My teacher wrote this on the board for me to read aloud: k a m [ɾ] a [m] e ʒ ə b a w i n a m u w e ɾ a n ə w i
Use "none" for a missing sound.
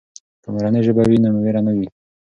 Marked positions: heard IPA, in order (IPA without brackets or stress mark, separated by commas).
ɾ, n